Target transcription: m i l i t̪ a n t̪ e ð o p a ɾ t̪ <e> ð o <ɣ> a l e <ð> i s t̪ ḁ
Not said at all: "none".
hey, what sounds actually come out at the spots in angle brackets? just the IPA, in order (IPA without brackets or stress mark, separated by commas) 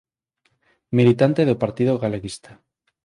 i, ɣ, ɣ